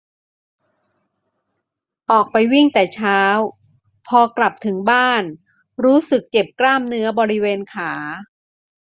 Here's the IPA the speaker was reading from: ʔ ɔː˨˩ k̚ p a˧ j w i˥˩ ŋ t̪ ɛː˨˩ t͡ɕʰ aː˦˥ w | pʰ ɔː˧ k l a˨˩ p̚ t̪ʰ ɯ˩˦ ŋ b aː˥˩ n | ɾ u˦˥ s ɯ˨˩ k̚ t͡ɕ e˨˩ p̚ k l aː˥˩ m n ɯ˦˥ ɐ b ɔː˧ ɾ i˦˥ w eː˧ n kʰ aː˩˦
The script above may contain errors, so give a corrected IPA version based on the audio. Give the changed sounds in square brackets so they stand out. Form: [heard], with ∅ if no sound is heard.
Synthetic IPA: ʔ ɔː˨˩ k̚ p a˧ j w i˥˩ ŋ t̪ ɛː˨˩ t͡ɕʰ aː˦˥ w | pʰ ɔː˧ k l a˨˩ p̚ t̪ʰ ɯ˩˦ ŋ b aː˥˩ n | ɾ [uː˦˥] s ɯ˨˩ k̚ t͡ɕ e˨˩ p̚ k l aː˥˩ m n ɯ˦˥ ɐ b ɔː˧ ɾ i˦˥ w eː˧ n kʰ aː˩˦